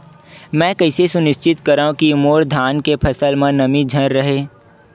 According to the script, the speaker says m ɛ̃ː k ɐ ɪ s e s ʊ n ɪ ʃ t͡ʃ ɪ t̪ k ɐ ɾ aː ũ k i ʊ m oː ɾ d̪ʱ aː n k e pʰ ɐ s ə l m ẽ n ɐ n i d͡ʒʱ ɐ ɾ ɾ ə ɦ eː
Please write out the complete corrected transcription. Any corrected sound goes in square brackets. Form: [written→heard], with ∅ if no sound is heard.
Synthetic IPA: m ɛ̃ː k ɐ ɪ s e s ʊ n ɪ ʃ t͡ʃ ɪ t̪ k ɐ ɾ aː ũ k i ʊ m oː ɾ d̪ʱ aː n k e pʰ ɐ s ə l m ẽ n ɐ [n→m] i d͡ʒʱ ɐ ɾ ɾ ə ɦ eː